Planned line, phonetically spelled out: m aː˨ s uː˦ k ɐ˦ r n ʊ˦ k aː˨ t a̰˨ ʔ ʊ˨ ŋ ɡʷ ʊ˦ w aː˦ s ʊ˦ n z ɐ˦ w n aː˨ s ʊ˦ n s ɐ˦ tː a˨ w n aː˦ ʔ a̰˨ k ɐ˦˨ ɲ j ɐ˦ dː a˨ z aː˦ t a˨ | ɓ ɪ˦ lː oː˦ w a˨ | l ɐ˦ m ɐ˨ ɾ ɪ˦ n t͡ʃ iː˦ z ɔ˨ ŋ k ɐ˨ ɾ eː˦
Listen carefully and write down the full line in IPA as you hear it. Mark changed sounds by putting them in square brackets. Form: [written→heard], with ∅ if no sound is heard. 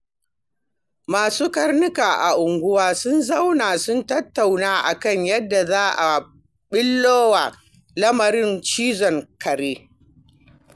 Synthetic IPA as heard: m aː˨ s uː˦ k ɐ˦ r n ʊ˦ k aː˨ [t→ʔ] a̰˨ ʔ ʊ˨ ŋ ɡʷ ʊ˦ w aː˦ s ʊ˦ n z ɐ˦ w n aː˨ s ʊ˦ n [s→t] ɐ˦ tː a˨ w n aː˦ ʔ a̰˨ k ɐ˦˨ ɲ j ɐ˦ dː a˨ z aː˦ [t→ʔ] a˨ | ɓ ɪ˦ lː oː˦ w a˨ | l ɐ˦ m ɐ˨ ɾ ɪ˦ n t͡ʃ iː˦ z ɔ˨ ŋ k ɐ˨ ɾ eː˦